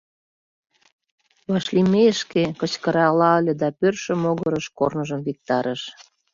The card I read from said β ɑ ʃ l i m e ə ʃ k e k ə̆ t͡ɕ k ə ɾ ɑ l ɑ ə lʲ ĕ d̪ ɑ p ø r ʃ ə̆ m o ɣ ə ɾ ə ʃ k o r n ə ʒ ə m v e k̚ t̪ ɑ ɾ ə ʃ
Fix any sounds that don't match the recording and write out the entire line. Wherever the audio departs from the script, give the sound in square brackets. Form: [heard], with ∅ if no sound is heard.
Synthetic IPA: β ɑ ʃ l i m e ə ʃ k e k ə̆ t͡ɕ k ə ɾ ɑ l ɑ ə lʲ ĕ d̪ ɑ p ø r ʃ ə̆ m o ɣ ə ɾ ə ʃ k o r n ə ʒ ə m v [i] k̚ t̪ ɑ ɾ ə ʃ